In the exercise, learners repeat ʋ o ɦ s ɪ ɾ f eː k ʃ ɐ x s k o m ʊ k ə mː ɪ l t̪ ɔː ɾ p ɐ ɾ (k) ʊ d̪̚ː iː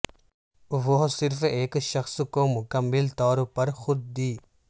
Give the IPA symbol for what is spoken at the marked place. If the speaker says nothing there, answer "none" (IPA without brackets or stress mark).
x